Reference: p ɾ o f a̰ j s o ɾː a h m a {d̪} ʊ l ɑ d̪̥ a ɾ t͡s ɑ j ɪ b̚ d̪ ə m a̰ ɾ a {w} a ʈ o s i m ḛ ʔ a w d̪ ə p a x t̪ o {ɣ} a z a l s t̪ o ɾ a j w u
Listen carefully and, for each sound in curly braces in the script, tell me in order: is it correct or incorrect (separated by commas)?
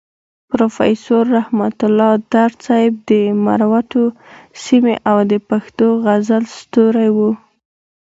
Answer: incorrect, correct, correct